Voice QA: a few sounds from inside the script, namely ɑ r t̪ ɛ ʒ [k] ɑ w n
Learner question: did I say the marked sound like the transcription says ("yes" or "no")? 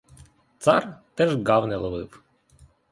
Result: no